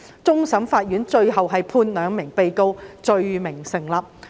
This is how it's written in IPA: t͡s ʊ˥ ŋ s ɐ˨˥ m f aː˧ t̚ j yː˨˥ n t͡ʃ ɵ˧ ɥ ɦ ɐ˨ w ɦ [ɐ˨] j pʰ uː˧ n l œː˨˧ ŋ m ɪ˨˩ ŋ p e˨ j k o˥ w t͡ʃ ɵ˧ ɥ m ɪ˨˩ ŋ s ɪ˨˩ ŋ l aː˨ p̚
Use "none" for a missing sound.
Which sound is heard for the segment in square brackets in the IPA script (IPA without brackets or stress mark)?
ɐ˨